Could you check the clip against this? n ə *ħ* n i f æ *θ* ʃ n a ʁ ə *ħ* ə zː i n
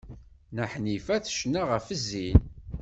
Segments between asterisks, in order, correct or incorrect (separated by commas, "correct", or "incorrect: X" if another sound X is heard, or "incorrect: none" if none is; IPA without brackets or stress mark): correct, correct, incorrect: f